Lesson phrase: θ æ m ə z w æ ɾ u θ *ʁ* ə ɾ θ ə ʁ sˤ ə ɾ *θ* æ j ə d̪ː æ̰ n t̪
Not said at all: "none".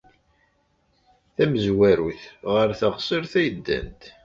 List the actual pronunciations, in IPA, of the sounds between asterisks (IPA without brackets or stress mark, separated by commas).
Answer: ʁ, θ